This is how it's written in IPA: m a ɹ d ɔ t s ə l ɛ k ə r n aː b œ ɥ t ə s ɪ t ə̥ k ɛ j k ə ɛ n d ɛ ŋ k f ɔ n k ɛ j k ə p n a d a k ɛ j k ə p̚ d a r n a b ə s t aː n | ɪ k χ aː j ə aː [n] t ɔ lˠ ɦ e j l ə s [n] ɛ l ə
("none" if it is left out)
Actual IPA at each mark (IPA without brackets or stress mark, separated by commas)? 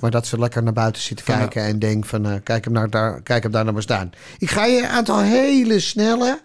n, n